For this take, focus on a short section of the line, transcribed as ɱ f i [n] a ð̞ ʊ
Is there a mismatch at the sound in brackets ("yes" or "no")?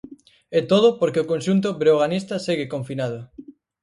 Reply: no